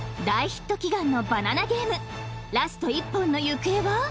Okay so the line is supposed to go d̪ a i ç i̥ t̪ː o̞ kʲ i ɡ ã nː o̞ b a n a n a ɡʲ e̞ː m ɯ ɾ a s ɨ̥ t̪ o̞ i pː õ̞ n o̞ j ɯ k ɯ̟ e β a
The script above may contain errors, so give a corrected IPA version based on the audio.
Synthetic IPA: d̪ a i ç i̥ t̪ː o̞ kʲ i ɡ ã nː o̞ b a n a n a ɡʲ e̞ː m ɯ ɾ a s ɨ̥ t̪ o̞ i pː õ̞ nː o̞ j ɯ k ɯ̟ e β a